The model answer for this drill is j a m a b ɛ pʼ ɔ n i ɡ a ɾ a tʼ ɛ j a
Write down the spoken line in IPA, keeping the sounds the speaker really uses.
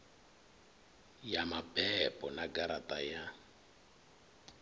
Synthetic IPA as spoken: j a m a b ɛ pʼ ɔ n a ɡ a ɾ a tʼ a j a